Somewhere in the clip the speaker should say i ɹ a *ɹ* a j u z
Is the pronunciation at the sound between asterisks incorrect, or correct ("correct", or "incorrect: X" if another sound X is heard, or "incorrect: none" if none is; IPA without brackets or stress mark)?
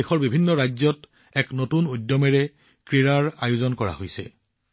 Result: correct